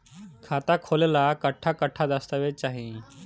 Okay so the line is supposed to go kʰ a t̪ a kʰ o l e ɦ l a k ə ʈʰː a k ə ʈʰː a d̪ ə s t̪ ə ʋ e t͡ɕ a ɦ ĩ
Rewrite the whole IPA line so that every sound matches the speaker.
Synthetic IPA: kʰ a t̪ a kʰ o l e l a k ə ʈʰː a k ə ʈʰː a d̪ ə s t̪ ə ʋ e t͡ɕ a ɦ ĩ